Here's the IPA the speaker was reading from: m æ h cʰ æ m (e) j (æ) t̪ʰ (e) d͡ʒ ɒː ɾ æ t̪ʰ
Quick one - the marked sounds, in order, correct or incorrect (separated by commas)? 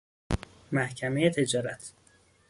correct, incorrect, correct